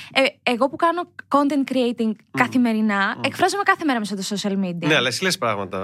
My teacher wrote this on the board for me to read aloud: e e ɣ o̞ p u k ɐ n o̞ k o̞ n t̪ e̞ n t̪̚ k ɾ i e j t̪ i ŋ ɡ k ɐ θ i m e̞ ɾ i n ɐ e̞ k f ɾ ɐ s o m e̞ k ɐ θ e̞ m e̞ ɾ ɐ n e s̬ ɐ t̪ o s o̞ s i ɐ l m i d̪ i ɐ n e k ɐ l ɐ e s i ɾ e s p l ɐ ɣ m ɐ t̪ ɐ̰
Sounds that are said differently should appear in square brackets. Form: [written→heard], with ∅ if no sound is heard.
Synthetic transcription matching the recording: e e ɣ o̞ p u k ɐ n o̞ k o̞ n t̪ e̞ n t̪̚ k ɾ i e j t̪ i ŋ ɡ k ɐ θ i m e̞ ɾ i n ɐ e̞ k f ɾ ɐ [s→z] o m e̞ k ɐ θ e̞ m e̞ ɾ ɐ [n→m] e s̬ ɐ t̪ o s o̞ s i ɐ l m i d̪ i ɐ n e [k→∅] ɐ l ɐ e s i [ɾ→l] e s p [l→ɾ] ɐ ɣ m ɐ t̪ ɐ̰